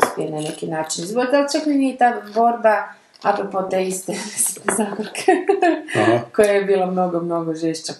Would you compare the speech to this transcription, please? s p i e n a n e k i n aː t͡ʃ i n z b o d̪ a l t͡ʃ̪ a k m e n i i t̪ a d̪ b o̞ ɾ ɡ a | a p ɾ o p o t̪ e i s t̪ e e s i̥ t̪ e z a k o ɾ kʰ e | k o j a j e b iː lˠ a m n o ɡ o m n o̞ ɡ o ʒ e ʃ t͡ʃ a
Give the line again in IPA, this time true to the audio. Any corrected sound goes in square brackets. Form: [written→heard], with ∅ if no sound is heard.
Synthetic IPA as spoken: s p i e n a n e k i n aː t͡ʃ i n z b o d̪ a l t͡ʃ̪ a k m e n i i t̪ a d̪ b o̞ ɾ [ɡ→b] a | a p ɾ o p o t̪ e i s t̪ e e s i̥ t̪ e z a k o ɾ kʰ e | k o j a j e b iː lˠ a m n o ɡ o m n o̞ ɡ o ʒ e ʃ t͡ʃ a